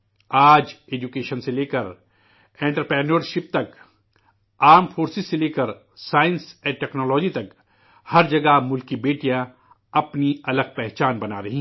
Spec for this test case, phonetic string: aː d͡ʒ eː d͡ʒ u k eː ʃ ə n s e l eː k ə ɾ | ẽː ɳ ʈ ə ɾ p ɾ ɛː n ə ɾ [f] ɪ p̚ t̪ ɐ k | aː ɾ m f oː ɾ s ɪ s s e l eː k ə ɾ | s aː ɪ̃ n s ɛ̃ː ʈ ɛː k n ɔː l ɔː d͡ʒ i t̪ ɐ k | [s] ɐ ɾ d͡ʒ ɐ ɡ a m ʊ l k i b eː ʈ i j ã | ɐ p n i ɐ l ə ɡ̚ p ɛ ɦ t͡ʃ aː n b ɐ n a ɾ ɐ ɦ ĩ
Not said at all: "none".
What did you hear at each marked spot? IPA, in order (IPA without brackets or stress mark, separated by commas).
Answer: ʃ, h